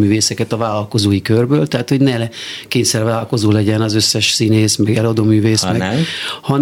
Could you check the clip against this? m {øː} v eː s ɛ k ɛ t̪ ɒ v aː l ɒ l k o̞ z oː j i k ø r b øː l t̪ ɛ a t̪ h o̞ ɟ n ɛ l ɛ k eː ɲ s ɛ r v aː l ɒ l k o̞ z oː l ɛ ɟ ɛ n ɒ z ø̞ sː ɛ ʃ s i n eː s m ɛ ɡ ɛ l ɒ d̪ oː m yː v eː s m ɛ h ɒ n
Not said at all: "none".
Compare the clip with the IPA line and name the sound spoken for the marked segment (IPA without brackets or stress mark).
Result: yː